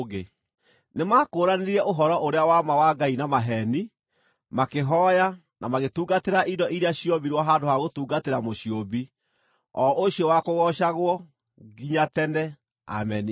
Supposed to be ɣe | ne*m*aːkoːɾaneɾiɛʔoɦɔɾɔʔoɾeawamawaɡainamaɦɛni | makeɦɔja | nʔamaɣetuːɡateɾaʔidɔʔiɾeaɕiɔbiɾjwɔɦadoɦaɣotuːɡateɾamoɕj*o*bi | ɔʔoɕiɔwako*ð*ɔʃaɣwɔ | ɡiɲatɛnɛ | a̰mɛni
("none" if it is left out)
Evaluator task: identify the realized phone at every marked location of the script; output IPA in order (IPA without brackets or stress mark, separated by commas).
m, o, ɣ